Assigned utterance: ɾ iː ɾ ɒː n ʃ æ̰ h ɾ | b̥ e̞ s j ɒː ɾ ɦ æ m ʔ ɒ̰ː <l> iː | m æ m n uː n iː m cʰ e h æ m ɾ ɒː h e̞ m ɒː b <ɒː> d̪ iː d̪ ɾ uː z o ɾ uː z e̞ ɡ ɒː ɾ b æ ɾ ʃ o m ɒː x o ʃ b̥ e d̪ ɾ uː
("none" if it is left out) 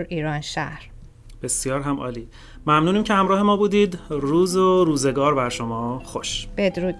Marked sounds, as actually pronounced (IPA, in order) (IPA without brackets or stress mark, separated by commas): l, uː